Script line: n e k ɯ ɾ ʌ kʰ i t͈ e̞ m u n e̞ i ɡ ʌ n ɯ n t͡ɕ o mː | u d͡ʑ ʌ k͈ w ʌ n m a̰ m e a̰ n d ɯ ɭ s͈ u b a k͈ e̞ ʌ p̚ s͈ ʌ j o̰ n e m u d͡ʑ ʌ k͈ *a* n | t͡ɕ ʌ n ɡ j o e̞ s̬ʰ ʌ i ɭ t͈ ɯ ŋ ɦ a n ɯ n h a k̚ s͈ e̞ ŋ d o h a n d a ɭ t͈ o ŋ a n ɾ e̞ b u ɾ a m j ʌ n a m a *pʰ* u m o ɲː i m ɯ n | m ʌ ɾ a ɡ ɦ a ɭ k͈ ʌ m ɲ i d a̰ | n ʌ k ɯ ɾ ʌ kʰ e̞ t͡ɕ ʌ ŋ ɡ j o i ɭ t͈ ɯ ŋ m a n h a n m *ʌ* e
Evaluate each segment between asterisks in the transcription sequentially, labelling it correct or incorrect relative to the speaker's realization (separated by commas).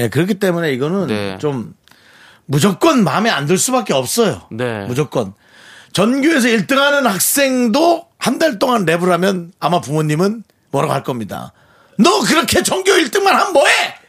incorrect, incorrect, correct